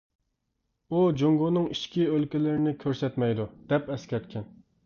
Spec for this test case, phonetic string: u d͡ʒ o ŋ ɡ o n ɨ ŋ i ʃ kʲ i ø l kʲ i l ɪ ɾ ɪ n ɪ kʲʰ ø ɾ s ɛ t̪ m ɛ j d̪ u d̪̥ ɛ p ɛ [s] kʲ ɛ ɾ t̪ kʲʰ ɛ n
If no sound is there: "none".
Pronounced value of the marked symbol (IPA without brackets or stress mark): s